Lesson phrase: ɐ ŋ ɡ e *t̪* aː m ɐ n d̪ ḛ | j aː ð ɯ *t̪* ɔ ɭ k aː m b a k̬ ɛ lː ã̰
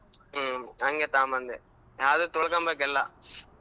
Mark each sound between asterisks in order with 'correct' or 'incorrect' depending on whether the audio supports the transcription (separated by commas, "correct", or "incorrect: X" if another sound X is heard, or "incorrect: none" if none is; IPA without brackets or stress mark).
correct, correct